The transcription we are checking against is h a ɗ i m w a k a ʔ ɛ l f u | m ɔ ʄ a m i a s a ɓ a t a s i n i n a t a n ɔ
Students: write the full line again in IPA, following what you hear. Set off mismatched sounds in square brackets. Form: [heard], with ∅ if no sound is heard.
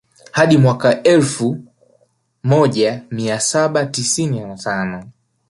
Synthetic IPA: h a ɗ i m w a k a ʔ ɛ l f u | m ɔ ʄ a m i a s a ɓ a t [i] s i n i n a t a n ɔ